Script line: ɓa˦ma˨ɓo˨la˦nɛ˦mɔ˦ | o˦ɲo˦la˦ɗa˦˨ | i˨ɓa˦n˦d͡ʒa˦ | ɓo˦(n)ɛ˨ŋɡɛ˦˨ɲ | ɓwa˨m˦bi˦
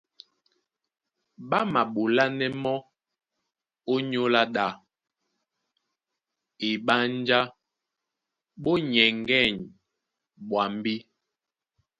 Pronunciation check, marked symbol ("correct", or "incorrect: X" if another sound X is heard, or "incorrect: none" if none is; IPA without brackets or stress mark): incorrect: ɲ